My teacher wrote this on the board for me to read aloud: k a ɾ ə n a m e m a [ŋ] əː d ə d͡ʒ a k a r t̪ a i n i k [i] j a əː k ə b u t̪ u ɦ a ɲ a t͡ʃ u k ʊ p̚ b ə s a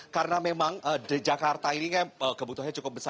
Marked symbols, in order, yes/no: yes, no

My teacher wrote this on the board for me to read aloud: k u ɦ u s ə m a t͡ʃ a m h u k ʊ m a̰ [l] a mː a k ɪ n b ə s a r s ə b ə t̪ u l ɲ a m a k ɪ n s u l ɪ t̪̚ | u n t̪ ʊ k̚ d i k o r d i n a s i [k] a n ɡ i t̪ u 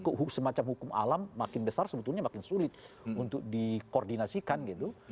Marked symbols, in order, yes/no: yes, yes

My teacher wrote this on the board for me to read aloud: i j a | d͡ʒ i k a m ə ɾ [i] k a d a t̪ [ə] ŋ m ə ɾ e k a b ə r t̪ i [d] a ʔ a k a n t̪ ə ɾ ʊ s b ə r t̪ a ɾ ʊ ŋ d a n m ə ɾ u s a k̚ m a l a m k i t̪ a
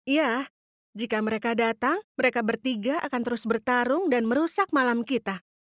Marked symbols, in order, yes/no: no, no, no

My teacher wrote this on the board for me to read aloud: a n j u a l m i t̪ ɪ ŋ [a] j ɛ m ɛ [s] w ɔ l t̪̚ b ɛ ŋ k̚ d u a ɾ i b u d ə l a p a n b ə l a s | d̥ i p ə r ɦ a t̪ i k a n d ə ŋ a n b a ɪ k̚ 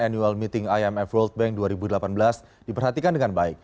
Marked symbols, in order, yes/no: yes, no

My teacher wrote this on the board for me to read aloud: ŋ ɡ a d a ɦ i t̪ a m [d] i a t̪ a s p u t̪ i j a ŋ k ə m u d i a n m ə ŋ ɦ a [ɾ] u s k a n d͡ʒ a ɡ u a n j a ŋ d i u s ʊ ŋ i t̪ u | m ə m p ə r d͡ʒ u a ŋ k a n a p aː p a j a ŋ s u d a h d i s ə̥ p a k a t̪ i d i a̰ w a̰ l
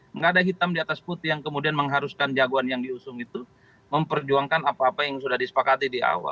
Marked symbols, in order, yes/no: yes, yes

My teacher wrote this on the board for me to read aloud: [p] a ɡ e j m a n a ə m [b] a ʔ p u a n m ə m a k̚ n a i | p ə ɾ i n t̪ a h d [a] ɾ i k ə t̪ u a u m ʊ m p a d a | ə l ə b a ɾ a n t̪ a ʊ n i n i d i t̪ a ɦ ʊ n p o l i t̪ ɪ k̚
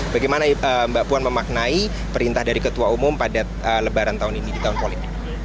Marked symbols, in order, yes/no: no, yes, yes

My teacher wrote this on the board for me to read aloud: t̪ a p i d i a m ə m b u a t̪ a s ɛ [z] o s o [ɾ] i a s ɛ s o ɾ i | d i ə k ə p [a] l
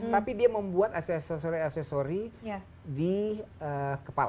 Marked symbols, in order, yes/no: no, yes, yes

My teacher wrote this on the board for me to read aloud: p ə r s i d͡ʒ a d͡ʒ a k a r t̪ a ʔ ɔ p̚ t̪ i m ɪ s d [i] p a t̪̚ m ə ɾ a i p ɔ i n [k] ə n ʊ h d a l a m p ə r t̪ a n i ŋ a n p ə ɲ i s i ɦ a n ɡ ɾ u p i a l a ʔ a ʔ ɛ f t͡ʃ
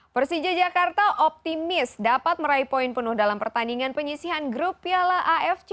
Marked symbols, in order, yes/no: no, no

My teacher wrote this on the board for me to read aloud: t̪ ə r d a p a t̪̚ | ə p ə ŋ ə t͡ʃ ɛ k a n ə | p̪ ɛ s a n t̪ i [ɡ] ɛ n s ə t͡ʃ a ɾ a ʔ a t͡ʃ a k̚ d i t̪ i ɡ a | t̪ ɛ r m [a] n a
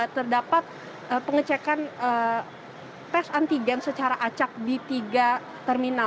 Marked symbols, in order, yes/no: yes, no

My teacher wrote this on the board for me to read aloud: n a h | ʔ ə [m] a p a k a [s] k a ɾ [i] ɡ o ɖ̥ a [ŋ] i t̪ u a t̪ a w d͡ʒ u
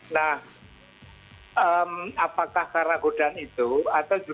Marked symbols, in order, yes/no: yes, no, no, no

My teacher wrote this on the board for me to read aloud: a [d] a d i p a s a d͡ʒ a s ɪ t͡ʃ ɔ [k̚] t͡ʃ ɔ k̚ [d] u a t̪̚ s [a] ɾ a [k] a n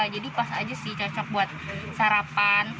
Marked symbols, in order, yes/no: no, no, no, yes, no

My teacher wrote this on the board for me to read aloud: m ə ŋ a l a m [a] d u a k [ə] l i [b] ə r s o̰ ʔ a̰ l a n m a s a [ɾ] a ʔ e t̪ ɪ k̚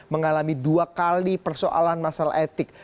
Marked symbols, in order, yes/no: no, no, no, no

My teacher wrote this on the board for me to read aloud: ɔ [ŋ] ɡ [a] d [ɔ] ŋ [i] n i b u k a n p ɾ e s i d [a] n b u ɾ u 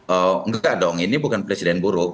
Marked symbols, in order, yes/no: yes, yes, yes, yes, no

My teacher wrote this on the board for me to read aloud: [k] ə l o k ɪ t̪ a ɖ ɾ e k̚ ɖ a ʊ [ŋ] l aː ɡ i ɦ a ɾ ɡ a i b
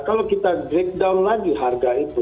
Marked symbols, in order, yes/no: yes, no

